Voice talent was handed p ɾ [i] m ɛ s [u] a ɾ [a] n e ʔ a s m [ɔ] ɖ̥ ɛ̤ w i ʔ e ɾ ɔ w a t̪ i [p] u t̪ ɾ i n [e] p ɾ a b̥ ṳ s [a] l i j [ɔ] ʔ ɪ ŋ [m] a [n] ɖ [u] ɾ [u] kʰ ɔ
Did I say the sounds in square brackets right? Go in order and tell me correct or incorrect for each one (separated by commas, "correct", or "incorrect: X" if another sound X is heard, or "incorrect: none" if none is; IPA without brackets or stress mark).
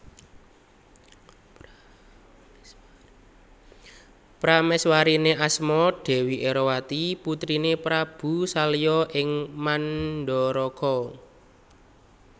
incorrect: a, incorrect: w, incorrect: i, correct, correct, correct, correct, correct, correct, correct, incorrect: ɔ, incorrect: ɔ